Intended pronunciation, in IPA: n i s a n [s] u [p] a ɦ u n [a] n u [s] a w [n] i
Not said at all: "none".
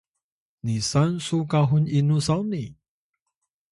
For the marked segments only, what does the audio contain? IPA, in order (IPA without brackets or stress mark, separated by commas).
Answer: s, k, i, s, n